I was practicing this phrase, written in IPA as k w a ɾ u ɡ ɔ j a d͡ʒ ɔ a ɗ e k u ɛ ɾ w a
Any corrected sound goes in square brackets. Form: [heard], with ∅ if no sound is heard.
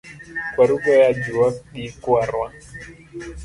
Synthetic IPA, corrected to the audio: k w a ɾ u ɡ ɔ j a d͡ʒ [u] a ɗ [i] k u [a] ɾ w a